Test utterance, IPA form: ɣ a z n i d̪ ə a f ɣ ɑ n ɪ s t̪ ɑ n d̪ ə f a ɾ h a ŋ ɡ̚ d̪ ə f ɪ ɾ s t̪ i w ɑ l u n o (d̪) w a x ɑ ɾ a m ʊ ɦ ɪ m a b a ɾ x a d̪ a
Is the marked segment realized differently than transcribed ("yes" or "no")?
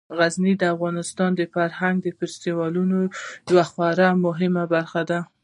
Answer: no